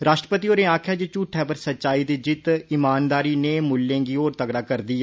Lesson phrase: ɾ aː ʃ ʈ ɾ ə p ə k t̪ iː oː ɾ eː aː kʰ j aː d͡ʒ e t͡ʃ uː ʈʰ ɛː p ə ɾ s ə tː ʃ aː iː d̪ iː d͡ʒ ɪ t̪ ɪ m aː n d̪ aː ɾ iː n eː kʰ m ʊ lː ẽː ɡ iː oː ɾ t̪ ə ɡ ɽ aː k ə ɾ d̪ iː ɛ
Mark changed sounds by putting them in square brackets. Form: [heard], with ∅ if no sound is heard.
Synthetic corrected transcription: ɾ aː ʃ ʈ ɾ ə p ə [∅] t̪ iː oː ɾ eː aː kʰ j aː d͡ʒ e t͡ʃ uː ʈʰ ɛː p ə ɾ s ə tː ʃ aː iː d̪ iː d͡ʒ ɪ t̪ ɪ m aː n d̪ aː ɾ iː n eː [∅] m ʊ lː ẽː ɡ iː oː ɾ t̪ ə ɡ ɽ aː k ə ɾ d̪ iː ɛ